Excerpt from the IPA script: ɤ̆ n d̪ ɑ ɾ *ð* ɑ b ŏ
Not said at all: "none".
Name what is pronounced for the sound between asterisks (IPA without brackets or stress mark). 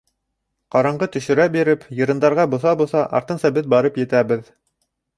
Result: ʁ